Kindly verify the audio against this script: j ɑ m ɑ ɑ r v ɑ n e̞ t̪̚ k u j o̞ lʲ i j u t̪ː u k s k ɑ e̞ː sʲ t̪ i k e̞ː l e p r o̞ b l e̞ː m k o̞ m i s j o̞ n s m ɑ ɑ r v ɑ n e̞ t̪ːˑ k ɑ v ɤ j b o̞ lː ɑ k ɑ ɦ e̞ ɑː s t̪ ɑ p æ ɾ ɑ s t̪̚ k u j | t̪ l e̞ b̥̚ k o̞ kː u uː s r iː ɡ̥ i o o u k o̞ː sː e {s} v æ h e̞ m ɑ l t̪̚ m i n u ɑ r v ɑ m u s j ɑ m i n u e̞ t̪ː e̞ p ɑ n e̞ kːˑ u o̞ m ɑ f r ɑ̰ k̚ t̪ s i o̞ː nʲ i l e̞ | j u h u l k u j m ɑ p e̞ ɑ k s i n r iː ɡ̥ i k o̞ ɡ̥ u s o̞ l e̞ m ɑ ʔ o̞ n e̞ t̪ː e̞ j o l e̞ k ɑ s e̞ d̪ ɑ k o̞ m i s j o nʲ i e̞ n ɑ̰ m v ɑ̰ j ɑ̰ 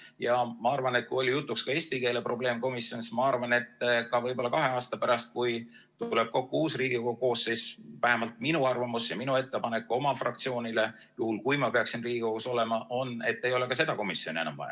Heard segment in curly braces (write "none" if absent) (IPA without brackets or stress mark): s